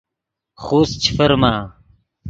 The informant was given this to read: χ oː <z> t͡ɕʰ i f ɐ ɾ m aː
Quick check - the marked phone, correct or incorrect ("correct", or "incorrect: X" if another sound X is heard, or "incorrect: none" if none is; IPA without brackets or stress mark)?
incorrect: s